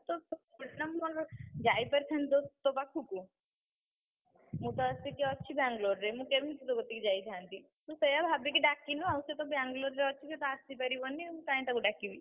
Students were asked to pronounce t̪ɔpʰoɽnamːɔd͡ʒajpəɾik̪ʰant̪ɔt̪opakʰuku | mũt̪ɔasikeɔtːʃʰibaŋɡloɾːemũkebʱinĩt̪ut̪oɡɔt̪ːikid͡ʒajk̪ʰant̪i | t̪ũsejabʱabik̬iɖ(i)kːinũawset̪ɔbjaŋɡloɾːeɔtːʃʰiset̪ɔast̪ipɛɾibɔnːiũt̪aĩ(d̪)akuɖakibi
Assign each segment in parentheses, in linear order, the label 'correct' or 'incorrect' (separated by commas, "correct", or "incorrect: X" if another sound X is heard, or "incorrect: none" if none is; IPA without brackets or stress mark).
incorrect: a, incorrect: t̪